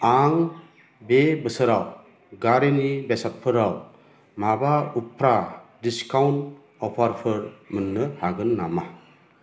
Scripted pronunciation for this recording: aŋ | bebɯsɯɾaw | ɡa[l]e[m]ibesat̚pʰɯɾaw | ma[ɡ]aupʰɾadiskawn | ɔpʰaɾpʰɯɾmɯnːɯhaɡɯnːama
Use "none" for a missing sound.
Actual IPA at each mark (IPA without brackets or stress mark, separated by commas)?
ɾ, n, b